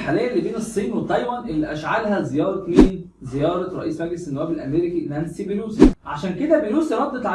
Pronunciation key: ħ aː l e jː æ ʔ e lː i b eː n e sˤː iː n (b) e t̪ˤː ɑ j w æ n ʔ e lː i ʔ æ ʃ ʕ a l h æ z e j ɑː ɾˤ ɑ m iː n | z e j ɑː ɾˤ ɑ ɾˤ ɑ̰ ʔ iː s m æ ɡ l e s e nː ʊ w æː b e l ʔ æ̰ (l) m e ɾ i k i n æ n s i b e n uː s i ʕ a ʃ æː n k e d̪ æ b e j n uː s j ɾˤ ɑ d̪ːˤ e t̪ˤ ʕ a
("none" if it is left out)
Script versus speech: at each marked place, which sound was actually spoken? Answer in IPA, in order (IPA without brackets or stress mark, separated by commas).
w, none